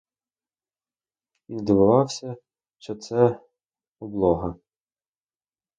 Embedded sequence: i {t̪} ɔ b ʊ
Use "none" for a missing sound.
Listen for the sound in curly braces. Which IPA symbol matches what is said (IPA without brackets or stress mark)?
d̪